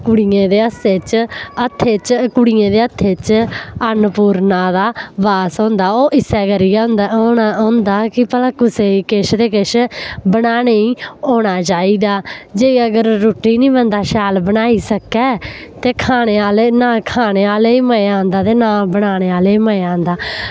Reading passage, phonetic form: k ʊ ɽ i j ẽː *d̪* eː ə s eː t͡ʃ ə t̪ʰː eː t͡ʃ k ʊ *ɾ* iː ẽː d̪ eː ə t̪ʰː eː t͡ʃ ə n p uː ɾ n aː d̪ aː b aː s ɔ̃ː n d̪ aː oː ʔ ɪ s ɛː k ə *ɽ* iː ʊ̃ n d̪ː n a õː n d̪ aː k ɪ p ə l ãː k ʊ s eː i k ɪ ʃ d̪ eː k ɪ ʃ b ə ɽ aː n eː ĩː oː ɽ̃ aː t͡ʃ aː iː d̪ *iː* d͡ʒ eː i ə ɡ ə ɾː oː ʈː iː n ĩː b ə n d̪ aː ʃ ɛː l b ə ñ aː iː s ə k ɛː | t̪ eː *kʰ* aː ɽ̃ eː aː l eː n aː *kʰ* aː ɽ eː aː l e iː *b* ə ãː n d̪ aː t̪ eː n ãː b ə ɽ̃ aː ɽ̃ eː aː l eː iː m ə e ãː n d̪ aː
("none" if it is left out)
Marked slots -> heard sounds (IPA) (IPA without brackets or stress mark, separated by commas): d̪, ɽ, ɾ, aː, kʰ, kʰ, m